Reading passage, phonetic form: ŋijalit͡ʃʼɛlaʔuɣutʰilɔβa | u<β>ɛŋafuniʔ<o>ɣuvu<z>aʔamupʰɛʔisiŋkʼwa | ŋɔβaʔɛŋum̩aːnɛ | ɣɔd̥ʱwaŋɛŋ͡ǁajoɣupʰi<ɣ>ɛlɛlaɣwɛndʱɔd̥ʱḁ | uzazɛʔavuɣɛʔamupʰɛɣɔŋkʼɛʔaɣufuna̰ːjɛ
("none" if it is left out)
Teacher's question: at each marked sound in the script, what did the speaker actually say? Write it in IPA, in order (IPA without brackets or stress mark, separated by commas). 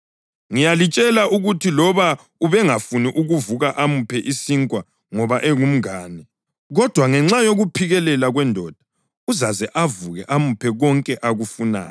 β, u, ɣ, ɣ